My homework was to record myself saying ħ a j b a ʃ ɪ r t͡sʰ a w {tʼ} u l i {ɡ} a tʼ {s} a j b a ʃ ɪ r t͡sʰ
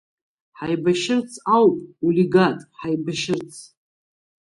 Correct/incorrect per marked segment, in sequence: incorrect: pʼ, correct, incorrect: ħ

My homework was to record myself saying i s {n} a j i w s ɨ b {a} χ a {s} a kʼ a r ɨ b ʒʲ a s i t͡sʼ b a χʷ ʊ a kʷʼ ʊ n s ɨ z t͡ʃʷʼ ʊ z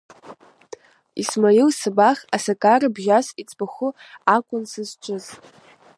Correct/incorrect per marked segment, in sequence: incorrect: m, correct, correct

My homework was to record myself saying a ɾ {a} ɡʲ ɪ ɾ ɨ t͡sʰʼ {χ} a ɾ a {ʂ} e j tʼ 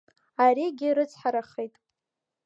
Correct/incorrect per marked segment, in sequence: incorrect: i, incorrect: ħ, incorrect: χ

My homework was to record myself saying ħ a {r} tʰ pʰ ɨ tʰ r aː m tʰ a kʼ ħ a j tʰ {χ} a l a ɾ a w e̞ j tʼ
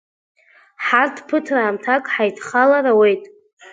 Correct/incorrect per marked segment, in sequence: correct, correct

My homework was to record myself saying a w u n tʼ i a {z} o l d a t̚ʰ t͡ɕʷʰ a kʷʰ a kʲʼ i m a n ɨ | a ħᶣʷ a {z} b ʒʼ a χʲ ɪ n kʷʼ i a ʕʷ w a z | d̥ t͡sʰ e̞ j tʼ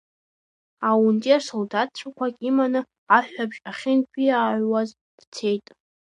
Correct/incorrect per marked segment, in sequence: incorrect: s, incorrect: none

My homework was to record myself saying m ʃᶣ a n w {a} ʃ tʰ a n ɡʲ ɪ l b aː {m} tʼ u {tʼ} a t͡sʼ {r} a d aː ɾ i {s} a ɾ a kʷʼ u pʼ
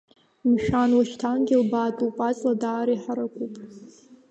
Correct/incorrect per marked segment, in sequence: correct, incorrect: none, incorrect: pʼ, incorrect: l, incorrect: ħ

